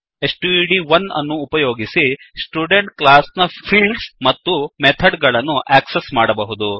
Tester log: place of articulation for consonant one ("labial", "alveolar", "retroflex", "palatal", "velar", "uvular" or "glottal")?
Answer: alveolar